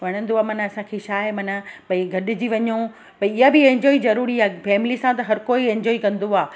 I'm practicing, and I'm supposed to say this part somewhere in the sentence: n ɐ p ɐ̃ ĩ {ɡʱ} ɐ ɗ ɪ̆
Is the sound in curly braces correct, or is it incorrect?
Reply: correct